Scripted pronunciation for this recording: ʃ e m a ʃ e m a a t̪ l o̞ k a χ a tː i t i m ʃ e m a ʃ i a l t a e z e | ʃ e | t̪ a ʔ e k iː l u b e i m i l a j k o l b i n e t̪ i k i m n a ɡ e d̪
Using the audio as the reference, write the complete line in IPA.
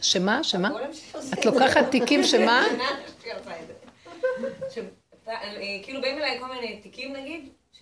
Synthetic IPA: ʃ e m a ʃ e m a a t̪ l o̞ k a χ a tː i k i m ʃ e m a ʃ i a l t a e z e | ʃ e | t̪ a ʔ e k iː l u b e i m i l a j k o l m i n e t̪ i k i m n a ɡ i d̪